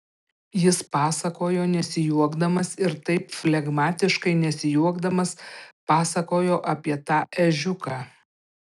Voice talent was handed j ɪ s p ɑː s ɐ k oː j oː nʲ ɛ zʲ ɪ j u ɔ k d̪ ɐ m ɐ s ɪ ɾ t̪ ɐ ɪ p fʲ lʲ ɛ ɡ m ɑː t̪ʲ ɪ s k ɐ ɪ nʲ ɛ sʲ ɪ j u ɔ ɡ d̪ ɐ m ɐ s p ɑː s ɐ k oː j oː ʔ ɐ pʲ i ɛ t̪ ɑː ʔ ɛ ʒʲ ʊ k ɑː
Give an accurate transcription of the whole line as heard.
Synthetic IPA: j ɪ s p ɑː s ɐ k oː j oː nʲ ɛ sʲ ɪ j u ɔ ɡ d̪ ɐ m ɐ s ɪ ɾ t̪ ɐ ɪ p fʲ lʲ ɛ ɡ m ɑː t̪ʲ ɪ ʃ k ɐ ɪ nʲ ɛ sʲ ɪ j u ɔ ɡ d̪ ɐ m ɐ s p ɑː s ɐ k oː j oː ʔ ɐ pʲ i ɛ t̪ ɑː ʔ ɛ ʒʲ ʊ k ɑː